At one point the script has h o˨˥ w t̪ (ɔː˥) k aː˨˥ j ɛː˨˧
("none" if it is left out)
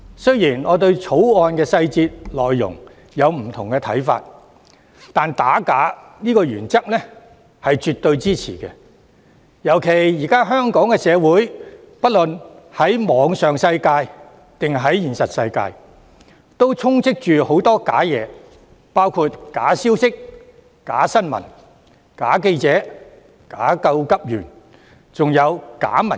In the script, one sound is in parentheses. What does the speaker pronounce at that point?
ɔː˥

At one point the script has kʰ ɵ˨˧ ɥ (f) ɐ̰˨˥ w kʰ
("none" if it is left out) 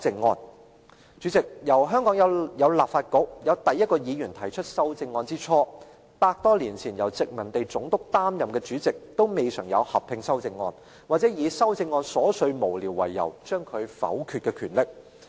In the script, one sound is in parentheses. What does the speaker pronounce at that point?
f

